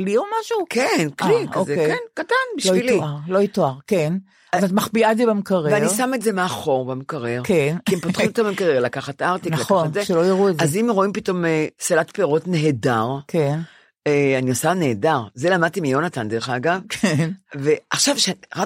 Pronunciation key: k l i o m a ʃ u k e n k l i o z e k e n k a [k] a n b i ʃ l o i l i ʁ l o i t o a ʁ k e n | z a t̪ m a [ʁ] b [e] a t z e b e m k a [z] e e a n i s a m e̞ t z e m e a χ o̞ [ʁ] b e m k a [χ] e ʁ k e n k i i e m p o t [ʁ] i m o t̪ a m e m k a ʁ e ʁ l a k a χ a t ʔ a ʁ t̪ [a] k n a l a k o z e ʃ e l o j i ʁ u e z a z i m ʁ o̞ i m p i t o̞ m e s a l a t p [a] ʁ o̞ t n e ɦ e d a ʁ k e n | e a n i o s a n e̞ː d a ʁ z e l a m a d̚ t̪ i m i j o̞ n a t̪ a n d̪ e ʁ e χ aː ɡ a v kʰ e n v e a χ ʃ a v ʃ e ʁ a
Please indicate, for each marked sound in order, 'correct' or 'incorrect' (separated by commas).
incorrect, incorrect, incorrect, incorrect, correct, incorrect, incorrect, incorrect, incorrect